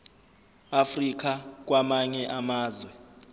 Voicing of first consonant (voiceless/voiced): voiceless